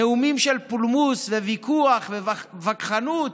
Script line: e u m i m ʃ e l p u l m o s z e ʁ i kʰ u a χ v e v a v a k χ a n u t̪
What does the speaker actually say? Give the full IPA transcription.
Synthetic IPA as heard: e u m i m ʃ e l p u l m u s v e v i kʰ u a χ v e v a v a k χ a n u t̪